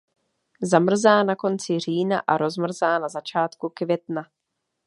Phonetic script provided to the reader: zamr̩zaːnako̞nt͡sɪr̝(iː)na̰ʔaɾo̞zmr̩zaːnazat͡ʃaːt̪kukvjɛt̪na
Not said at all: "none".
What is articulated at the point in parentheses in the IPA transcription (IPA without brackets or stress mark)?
iː